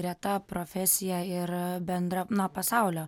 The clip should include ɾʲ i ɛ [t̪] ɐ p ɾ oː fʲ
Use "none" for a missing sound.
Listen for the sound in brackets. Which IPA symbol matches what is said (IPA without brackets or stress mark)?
t̪